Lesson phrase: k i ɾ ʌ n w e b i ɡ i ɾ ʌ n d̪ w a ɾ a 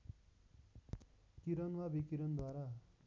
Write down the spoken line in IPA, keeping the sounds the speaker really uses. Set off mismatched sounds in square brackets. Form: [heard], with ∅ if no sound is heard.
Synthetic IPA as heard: k i ɾ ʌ n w [a] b i [k] i ɾ ʌ n d̪ w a ɾ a